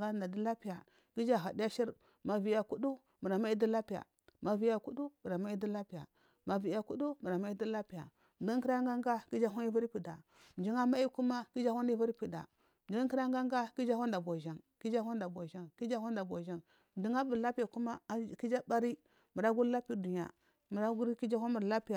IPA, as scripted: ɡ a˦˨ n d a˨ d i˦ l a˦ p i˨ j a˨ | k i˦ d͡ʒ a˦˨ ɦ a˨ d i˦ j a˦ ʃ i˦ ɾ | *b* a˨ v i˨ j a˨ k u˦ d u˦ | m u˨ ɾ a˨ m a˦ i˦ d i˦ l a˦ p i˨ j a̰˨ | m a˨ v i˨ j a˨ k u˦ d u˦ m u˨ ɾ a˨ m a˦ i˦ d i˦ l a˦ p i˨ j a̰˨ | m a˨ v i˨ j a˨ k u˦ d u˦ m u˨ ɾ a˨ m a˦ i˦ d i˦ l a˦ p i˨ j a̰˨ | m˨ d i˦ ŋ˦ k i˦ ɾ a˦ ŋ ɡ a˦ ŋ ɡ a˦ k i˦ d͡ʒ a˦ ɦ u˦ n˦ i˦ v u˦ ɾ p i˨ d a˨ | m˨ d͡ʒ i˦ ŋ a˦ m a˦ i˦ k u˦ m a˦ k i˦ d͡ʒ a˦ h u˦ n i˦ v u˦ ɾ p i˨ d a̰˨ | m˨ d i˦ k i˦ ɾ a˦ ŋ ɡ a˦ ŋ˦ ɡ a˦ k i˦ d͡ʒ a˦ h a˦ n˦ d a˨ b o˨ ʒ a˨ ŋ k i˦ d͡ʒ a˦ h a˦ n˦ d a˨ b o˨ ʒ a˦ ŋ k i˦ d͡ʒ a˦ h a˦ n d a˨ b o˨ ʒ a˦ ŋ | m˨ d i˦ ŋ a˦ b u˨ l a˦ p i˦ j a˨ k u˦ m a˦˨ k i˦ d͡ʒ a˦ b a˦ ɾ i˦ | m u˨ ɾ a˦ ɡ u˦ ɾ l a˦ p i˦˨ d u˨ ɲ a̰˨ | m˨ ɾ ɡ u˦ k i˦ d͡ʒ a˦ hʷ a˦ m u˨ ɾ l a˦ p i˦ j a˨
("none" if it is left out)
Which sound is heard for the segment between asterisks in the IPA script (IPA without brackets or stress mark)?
m